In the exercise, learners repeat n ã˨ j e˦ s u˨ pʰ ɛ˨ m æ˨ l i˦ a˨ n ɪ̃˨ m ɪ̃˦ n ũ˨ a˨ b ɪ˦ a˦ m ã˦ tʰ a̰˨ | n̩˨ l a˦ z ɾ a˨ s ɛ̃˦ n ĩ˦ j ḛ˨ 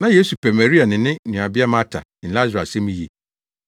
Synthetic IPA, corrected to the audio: n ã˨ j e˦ s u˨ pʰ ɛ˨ m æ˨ ɾ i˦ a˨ n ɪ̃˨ n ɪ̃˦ n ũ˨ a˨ b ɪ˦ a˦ m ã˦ tʰ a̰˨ | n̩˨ l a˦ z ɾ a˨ s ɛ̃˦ m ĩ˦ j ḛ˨